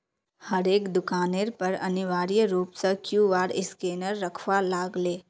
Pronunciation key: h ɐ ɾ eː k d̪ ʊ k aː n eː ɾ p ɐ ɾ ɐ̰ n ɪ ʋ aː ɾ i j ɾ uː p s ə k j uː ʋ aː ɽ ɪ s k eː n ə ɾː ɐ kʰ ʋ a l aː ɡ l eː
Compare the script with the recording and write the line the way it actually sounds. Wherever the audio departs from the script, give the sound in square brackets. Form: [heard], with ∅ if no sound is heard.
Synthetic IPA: h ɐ ɾ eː k d̪ ʊ k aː n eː ɾ p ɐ ɾ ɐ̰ n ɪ ʋ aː ɾ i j ɾ uː p s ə k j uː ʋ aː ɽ ɪ s k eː n ə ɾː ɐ kʰ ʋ a l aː ɡ l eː